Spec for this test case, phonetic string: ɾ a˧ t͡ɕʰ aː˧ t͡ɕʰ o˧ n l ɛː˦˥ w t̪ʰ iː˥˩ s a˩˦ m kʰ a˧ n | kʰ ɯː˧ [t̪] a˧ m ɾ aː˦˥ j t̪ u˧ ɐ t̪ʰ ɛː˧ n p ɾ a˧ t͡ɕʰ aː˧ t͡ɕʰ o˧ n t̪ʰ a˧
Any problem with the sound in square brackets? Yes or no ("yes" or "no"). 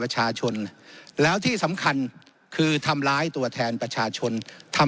yes